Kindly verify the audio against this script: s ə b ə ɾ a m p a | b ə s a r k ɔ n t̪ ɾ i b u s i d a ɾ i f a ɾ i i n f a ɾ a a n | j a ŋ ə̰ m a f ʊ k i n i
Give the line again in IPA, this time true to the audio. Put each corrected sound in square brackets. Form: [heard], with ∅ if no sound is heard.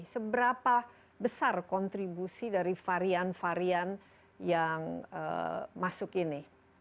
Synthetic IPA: s ə b ə ɾ a [∅] p a | b ə s a r k ɔ n t̪ ɾ i b u s i d a ɾ i f a ɾ i [a] n f a ɾ [i] a n | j a ŋ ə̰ m a [s] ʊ k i n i